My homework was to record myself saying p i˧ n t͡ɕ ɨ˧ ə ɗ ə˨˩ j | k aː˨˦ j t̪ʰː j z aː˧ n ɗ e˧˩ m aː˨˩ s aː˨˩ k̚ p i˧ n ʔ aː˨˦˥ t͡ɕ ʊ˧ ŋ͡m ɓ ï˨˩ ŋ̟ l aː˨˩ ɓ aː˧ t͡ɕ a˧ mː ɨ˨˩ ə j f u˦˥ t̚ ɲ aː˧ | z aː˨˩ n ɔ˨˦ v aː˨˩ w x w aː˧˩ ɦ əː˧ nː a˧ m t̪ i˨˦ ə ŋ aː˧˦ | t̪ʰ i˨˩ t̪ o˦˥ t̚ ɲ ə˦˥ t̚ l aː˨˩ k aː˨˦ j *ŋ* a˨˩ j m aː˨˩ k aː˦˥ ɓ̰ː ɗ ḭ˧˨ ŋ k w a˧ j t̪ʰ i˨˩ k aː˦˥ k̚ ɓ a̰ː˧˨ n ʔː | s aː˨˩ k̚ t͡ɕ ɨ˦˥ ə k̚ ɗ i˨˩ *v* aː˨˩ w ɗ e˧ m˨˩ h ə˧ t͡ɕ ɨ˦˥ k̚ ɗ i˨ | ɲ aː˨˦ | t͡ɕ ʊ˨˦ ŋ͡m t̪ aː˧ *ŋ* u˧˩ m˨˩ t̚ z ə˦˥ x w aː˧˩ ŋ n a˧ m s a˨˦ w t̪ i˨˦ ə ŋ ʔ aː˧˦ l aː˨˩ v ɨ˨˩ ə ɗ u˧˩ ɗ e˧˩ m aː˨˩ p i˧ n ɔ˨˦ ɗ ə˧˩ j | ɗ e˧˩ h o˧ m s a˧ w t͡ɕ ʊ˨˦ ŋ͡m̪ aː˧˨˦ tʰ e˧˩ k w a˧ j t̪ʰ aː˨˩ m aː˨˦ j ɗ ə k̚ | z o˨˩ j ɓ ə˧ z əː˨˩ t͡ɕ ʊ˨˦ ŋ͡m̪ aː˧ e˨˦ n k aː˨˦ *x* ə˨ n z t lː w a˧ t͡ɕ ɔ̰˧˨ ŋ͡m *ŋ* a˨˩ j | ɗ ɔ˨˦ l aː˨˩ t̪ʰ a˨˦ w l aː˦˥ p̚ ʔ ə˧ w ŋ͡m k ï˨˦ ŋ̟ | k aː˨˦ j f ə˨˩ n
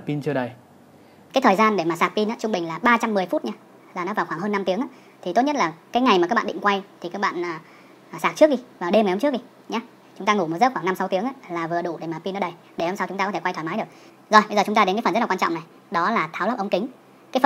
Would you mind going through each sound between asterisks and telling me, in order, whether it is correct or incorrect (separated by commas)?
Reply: correct, correct, correct, incorrect, incorrect